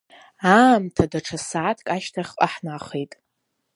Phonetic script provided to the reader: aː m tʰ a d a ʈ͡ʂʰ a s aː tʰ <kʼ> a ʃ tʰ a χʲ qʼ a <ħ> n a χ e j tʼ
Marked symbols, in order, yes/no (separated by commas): yes, yes